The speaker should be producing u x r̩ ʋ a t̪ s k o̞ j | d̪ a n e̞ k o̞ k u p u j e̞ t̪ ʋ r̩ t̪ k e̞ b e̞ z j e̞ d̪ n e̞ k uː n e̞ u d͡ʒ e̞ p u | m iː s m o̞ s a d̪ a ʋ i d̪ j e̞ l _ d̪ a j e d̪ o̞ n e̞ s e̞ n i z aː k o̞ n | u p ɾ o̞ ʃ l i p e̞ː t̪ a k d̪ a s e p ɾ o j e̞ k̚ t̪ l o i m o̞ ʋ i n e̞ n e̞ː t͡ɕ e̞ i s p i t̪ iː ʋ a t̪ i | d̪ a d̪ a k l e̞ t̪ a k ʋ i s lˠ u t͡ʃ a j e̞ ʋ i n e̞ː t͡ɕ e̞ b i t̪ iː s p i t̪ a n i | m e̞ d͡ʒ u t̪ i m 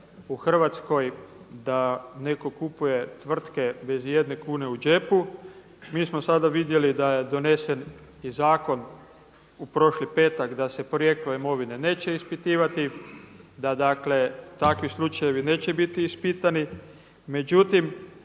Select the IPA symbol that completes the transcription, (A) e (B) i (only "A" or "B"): B